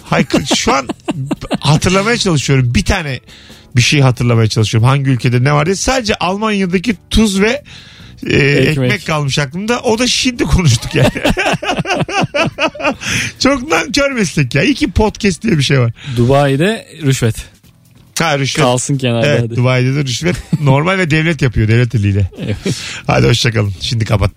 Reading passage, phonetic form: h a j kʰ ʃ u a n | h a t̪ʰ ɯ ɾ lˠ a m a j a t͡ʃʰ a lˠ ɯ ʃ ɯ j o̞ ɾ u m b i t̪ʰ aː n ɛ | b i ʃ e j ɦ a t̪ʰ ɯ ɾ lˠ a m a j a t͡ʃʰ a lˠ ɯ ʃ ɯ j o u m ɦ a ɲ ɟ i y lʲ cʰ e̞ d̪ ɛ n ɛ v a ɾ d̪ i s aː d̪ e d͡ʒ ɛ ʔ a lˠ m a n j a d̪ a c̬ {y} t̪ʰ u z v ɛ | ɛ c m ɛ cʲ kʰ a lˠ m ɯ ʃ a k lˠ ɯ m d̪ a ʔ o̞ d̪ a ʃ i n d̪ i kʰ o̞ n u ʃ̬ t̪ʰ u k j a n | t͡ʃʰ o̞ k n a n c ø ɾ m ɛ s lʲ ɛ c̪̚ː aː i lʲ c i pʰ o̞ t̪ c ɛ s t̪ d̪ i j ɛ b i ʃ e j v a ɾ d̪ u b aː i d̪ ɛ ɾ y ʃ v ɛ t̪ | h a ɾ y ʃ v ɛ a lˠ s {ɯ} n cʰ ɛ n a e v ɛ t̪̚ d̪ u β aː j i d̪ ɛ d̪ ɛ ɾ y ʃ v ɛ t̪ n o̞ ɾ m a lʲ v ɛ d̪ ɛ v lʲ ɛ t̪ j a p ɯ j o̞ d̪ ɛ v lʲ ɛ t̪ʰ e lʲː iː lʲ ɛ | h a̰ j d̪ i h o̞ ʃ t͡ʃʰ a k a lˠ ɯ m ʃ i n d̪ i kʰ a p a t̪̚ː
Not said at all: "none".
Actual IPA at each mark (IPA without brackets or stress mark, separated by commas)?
i, ɯ